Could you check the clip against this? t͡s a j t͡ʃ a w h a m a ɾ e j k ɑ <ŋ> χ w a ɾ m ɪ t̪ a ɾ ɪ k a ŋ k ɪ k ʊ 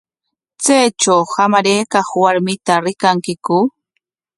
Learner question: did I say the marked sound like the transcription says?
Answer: no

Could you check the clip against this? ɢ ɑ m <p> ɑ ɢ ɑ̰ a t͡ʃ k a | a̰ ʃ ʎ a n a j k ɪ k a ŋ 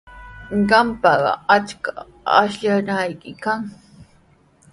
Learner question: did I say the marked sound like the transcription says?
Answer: yes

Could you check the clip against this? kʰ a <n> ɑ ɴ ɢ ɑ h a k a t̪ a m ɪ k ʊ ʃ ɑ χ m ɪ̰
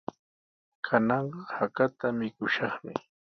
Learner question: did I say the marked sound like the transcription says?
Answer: yes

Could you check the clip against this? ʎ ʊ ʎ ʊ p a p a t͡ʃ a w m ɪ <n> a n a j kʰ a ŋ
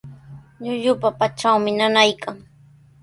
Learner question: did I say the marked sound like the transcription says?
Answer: yes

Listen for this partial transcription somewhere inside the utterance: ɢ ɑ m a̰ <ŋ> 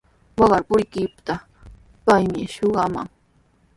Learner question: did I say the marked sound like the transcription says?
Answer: yes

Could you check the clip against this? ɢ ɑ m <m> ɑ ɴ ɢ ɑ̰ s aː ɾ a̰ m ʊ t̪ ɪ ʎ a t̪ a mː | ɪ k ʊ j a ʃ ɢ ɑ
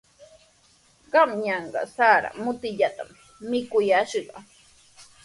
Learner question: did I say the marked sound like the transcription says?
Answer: no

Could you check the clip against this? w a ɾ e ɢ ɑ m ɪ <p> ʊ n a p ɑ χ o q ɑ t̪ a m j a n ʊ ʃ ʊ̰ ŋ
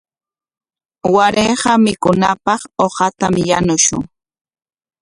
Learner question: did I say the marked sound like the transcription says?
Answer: no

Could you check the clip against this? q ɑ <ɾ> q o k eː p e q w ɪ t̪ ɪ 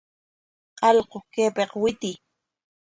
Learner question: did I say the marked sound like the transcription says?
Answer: no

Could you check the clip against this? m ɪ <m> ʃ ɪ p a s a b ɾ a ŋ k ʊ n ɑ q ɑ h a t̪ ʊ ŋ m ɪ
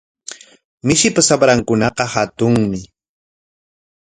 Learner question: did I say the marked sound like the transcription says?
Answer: no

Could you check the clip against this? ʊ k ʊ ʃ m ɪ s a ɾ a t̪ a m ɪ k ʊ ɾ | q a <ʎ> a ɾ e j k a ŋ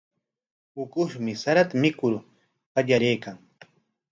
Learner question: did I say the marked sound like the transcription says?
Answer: yes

